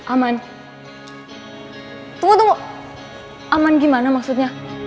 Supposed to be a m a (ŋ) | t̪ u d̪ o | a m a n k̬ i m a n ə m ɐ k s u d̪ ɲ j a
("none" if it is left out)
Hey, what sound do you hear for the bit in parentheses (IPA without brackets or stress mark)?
n